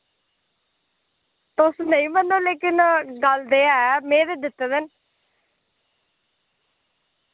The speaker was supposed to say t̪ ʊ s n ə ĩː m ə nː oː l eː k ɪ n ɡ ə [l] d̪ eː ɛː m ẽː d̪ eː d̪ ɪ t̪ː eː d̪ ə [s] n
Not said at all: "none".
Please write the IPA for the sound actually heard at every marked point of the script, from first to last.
l, none

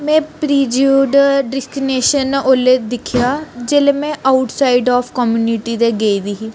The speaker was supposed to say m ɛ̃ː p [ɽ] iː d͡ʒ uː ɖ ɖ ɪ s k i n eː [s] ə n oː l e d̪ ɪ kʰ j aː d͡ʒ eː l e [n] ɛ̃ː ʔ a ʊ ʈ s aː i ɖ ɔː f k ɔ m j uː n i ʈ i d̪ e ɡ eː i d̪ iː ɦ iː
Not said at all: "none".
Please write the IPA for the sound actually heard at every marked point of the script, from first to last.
ɾ, ʃ, m

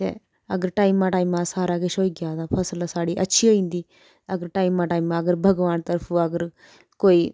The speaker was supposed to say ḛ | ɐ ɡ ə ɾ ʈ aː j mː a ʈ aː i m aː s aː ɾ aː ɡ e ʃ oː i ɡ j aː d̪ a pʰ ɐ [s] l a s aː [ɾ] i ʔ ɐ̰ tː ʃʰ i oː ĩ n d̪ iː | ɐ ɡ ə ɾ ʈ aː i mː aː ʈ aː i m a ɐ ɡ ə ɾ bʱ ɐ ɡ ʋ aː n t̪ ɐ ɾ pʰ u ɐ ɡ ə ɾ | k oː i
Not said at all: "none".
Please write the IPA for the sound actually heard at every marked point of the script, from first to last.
s, ɽ

